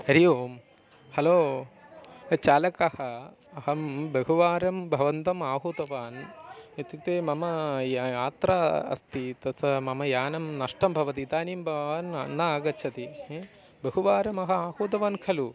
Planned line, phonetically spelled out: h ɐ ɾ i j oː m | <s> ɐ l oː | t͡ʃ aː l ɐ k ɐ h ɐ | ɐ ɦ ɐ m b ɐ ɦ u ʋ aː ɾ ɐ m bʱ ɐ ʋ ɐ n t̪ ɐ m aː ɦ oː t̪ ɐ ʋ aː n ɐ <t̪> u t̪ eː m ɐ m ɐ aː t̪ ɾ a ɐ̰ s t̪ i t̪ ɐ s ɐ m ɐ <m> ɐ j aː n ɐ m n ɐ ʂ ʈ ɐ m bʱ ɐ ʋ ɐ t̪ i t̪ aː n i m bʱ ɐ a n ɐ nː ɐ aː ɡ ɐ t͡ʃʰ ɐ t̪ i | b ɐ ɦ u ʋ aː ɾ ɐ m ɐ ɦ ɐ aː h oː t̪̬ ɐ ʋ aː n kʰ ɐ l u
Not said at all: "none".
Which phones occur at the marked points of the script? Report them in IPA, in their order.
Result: h, t̪, m

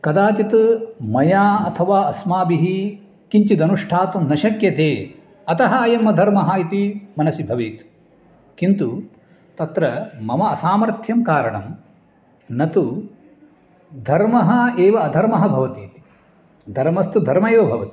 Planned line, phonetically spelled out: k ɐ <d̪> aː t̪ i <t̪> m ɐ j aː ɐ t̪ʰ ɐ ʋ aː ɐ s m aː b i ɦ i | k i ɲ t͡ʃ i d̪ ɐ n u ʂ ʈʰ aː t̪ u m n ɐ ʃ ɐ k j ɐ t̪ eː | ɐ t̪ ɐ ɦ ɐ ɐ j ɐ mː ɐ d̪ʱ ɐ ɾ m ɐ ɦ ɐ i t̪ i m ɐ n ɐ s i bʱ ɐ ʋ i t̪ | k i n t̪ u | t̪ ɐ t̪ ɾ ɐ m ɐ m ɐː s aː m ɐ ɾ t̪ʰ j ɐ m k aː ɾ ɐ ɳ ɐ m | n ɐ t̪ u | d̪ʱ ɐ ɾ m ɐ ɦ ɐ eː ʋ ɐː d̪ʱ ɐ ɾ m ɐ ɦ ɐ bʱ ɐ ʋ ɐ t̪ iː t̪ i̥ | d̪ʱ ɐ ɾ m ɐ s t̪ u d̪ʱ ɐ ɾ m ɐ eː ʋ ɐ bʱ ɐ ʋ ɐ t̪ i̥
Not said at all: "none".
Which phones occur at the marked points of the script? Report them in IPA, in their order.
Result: d̪, t̪

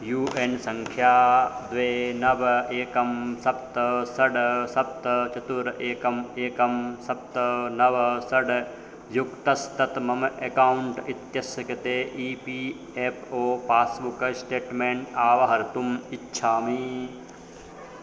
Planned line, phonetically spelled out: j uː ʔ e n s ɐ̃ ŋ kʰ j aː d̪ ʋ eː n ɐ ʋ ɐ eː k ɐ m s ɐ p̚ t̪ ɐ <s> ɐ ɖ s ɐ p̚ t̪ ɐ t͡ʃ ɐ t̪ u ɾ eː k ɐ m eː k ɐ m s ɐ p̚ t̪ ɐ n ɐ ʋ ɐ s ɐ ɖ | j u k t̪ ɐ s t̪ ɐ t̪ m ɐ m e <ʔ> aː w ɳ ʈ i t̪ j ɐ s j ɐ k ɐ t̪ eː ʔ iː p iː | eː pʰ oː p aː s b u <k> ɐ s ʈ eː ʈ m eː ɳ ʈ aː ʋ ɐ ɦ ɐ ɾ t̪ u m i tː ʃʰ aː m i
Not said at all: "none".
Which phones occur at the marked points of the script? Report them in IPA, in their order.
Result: s, k, k

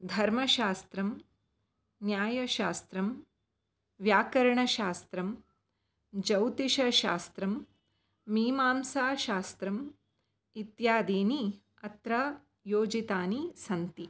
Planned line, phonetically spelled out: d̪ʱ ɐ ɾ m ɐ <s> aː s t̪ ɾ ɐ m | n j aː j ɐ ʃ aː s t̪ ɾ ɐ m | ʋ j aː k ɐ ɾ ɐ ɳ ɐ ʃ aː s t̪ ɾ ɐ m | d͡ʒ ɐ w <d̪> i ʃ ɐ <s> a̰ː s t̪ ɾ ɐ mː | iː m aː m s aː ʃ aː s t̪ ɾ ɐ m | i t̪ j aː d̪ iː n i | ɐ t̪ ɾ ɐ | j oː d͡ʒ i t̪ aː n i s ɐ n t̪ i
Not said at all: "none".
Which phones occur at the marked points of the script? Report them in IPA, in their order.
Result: ʃ, t̪, ʃ

